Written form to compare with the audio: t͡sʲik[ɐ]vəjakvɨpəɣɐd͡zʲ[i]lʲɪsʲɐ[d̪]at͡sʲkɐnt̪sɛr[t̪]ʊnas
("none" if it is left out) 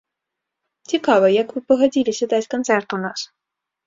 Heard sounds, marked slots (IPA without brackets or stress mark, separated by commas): a, i, d̪, t̪